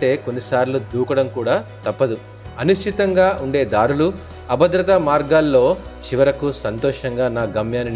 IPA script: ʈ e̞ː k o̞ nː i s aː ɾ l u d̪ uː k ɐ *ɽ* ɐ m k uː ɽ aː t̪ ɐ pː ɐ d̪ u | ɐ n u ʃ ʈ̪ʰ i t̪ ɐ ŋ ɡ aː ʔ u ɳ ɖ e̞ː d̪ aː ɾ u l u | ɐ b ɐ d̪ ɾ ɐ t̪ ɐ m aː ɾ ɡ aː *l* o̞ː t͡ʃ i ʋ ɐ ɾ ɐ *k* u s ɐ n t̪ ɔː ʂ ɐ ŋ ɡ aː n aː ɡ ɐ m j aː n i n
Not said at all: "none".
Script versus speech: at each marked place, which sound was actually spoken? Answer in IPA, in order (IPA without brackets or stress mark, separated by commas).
ɽ, lː, k